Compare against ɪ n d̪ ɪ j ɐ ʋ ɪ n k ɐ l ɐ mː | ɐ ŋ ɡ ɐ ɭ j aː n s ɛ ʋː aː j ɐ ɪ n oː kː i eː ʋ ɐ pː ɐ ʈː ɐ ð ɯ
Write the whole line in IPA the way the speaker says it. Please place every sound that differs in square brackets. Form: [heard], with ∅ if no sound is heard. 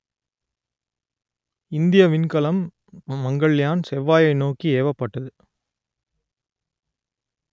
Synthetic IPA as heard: ɪ n d̪ ɪ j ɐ ʋ ɪ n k ɐ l ɐ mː | ɐ ŋ ɡ ɐ ɭ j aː n s ɛ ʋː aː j ɐ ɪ n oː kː i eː ʋ ɐ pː ɐ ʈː ɐ ð ɯ